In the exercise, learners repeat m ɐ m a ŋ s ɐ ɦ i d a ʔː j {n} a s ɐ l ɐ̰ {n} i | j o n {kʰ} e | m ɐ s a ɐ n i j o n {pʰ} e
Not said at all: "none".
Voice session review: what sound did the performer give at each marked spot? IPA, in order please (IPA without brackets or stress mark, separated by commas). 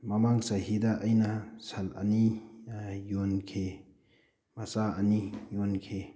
n, n, kʰ, kʰ